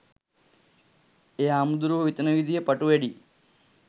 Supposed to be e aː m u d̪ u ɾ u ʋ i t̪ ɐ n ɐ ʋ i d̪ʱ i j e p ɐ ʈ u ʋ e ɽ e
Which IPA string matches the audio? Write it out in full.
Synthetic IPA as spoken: e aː m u d̪ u ɾ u ʋ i t̪ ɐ n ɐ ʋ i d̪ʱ i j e p ɐ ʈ u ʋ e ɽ i